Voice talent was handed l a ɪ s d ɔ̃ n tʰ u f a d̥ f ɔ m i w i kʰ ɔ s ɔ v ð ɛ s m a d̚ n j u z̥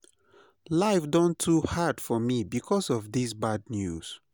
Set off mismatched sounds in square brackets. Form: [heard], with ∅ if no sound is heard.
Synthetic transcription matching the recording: l a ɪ [f] d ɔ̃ n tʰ u [h] a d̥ f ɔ m i [b] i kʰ ɔ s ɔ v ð [i] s [b] a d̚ n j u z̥

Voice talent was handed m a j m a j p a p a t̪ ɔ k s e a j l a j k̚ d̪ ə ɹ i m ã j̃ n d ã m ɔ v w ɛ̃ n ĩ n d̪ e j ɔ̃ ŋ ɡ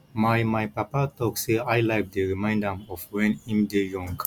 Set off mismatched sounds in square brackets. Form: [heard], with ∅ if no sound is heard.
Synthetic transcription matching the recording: m a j m a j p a p a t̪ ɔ k s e a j l a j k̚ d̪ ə ɹ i m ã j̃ n d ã m ɔ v w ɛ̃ n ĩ [m] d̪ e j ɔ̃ ŋ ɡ

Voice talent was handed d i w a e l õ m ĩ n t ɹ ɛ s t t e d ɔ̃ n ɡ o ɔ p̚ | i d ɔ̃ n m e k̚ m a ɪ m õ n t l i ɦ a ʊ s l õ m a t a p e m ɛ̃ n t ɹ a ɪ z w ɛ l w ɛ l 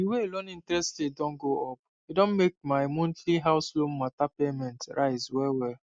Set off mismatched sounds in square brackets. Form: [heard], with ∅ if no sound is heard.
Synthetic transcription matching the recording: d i w [e] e l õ [n] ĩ n t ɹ ɛ s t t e d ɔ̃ n ɡ o ɔ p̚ | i d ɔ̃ n m e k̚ m a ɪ m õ n t l i ɦ a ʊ s l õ m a t a p e m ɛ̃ n t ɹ a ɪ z w ɛ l w ɛ l

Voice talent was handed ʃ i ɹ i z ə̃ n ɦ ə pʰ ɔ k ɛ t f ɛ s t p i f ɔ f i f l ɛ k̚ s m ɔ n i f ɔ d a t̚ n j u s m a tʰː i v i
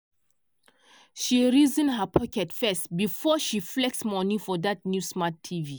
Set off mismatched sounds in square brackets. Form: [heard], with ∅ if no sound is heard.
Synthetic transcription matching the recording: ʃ i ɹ i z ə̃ n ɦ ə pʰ ɔ k ɛ t f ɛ s t [b] i f ɔ [ʃ] i f l ɛ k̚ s m ɔ n i f ɔ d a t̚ n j u s m a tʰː i v i

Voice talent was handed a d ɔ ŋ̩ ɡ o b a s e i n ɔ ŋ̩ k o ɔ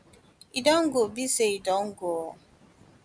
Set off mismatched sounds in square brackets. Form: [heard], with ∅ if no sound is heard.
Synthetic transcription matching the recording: [i] d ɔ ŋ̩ ɡ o b [i] s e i [d] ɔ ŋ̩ [ɡ] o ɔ

